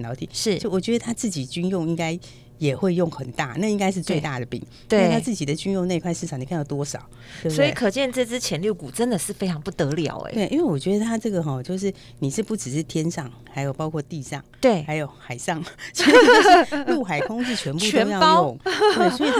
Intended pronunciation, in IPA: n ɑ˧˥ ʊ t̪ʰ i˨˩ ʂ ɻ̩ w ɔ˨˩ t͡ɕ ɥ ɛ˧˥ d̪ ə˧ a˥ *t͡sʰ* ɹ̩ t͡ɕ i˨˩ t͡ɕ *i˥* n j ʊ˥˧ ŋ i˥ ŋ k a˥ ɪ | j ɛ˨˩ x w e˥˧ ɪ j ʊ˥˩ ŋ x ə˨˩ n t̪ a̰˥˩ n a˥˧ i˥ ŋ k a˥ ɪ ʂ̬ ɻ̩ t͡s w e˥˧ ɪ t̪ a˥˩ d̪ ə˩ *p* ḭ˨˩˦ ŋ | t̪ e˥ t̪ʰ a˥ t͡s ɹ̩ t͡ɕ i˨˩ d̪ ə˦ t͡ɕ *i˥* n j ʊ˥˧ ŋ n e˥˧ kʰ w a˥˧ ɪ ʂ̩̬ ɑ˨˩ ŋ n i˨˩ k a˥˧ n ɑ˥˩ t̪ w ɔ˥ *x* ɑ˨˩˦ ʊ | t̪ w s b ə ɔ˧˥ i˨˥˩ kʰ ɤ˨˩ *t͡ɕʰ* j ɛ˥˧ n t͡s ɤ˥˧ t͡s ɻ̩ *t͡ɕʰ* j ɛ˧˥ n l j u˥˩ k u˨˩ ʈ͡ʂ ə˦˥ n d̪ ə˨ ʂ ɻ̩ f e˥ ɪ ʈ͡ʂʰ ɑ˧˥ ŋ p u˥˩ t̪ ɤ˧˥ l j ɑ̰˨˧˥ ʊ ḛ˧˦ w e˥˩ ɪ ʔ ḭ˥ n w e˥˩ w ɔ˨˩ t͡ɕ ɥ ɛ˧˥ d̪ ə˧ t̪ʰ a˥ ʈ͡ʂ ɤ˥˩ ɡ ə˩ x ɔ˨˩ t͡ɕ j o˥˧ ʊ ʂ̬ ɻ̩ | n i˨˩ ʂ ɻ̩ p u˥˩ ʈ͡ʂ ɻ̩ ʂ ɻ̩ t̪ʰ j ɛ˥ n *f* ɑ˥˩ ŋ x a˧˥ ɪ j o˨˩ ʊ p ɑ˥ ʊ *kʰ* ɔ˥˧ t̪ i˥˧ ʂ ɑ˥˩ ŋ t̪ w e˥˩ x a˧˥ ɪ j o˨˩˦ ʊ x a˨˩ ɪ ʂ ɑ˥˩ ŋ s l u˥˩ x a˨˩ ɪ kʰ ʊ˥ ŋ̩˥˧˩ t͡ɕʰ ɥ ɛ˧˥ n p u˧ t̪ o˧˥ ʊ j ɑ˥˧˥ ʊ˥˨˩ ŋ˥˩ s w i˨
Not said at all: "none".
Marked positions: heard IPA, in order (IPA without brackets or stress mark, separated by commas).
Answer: t͡s, y˥, p, y˥, ʂ, t͡ɕ, t͡ɕʰ, ʂ, kʰ